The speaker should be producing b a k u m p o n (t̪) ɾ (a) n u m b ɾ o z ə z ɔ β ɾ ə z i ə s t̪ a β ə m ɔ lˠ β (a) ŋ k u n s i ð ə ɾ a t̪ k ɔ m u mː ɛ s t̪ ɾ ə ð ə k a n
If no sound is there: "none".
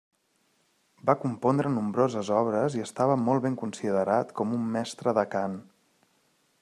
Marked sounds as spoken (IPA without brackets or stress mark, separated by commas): d̪, ə, e